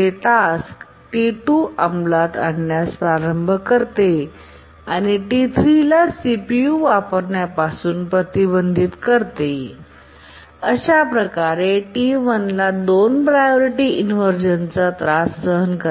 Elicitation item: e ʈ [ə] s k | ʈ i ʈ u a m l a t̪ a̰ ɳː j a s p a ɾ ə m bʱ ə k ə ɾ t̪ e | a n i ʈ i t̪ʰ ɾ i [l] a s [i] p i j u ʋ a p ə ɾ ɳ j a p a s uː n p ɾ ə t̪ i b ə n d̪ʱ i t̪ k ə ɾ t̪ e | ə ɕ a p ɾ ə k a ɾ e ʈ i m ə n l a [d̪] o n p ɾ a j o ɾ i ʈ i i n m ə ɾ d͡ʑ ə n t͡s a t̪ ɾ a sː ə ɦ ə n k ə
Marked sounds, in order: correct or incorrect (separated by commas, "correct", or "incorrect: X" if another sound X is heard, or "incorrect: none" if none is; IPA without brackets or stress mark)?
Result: incorrect: a, correct, correct, correct